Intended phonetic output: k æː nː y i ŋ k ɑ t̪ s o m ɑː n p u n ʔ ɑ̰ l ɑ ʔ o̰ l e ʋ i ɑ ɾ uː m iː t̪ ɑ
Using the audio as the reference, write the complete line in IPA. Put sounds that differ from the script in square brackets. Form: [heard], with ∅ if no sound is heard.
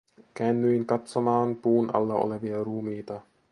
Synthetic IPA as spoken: k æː nː y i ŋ k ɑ t̪ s o m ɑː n p [uː] n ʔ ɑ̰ [lː] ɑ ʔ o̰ l e ʋ i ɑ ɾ uː m iː t̪ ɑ